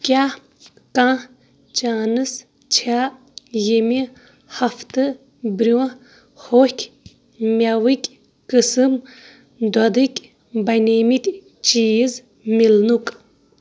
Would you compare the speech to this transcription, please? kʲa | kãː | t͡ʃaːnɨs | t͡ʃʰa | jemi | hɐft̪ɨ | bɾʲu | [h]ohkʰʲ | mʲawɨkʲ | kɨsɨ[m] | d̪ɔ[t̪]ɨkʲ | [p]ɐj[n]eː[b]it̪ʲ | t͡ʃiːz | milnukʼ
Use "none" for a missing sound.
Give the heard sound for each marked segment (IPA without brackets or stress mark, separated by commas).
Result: h, m, d̪, b, n, m